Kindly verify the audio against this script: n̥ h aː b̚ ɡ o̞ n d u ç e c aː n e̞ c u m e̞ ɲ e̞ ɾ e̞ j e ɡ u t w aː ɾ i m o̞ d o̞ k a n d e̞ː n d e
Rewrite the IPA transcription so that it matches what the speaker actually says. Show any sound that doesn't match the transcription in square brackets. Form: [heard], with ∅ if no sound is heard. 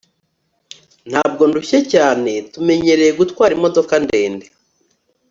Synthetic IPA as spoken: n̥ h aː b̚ ɡ o̞ n d u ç e c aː n e̞ [t] u m e̞ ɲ e̞ ɾ e̞ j e ɡ u t w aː ɾ i m o̞ d o̞ k a n d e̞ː n d e